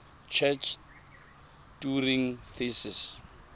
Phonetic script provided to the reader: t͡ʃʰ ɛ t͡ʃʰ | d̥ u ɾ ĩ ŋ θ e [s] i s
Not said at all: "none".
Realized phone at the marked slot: s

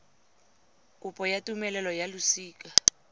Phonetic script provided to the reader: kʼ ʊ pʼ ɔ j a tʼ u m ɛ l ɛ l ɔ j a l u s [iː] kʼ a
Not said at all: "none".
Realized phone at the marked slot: iː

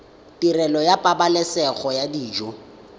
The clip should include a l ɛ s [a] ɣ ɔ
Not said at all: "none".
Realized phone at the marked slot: ɛ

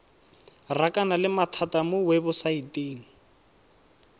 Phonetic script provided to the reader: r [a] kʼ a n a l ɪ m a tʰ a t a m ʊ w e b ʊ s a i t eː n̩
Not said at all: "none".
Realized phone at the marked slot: a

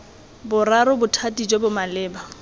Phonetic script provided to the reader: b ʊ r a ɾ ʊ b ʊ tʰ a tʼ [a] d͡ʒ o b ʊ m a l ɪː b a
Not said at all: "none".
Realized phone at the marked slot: i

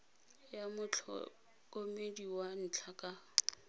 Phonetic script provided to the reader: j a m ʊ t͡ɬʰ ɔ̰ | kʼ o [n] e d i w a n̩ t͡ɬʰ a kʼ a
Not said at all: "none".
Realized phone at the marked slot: m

